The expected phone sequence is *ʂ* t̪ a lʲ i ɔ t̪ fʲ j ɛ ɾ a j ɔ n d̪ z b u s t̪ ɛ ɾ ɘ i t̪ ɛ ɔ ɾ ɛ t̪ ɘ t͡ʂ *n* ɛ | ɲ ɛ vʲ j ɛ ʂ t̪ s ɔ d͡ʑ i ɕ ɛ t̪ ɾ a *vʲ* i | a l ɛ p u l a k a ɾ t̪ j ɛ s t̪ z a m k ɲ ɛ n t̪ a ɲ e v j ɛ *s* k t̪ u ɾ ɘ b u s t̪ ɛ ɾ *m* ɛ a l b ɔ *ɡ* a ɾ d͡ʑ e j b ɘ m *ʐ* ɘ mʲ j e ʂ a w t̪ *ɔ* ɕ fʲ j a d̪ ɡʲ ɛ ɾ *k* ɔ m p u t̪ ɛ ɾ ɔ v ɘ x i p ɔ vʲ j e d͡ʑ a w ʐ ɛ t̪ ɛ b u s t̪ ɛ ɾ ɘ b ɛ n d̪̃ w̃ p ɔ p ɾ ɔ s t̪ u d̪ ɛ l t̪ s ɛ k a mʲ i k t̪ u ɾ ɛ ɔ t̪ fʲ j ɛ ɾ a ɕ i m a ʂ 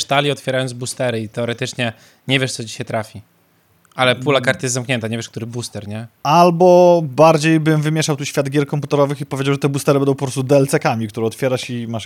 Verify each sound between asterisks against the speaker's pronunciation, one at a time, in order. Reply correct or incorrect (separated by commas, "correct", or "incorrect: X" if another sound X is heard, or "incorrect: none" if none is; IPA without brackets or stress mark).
correct, incorrect: ɲ, incorrect: fʲ, incorrect: ʂ, incorrect: ɲ, incorrect: b, incorrect: v, incorrect: u, correct